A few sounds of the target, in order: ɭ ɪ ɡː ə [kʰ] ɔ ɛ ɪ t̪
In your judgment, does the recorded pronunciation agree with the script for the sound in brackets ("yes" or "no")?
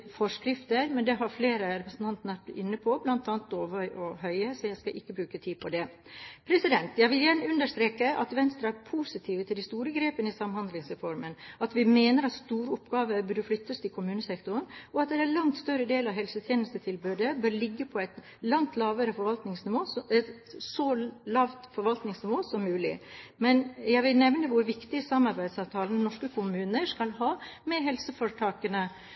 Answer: no